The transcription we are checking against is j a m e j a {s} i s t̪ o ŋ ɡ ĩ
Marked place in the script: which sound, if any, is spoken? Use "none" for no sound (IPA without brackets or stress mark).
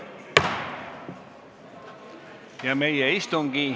none